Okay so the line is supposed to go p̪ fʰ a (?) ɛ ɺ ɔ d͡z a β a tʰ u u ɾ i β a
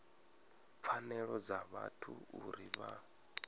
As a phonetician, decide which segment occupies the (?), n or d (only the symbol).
n